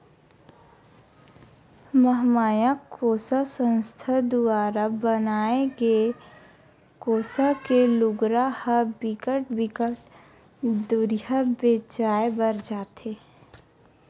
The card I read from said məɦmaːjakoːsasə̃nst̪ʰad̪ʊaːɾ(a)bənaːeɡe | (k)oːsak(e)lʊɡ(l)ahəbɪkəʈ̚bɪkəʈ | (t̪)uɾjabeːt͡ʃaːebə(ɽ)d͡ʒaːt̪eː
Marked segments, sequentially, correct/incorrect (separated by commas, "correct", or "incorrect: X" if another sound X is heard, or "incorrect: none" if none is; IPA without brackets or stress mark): correct, correct, correct, incorrect: ɾ, incorrect: d̪, incorrect: ɾ